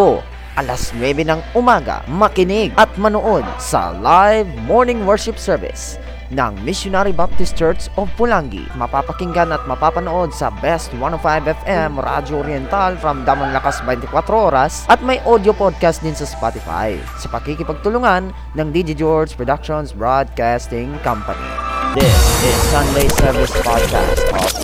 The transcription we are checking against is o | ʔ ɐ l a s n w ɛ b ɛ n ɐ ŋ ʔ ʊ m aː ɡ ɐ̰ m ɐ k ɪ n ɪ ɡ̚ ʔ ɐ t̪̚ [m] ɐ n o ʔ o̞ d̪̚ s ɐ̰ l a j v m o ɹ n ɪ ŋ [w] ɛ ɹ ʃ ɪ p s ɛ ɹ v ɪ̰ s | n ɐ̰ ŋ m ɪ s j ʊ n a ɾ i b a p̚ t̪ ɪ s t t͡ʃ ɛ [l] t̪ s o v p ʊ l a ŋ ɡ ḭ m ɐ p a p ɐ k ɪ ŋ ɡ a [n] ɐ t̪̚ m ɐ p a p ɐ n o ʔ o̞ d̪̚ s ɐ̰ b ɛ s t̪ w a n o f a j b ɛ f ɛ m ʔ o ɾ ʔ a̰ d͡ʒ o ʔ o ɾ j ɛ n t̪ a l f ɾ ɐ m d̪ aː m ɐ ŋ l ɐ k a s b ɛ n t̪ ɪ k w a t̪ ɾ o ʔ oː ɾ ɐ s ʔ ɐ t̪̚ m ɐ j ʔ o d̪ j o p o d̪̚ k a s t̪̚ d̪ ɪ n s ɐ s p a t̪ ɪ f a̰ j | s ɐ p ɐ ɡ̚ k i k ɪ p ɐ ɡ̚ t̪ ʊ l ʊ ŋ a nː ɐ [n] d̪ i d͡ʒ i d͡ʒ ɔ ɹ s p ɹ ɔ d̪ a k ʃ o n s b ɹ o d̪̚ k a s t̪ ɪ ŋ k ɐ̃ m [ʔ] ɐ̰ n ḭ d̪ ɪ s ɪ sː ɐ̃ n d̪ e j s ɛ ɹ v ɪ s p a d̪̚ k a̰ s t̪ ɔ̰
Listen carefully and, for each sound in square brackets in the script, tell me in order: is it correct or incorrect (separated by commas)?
correct, correct, incorrect, correct, incorrect, incorrect